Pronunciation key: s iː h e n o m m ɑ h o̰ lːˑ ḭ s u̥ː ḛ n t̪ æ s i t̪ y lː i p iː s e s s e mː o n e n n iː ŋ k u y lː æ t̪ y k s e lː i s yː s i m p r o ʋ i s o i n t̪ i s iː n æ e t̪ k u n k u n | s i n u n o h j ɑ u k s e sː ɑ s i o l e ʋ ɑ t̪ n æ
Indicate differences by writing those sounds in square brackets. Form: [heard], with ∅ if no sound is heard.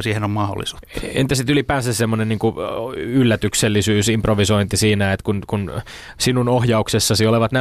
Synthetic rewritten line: s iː h e n o m m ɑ h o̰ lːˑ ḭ s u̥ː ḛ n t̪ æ s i t̪ y [l] i p [æː] s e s s e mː o n e n n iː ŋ k u y lː æ t̪ y k s e lː i s yː s i m p r o ʋ i s o i n t̪ i s iː n æ e t̪ k u n k u n | s i n u n o h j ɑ u k s e sː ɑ s i o l e ʋ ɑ t̪ n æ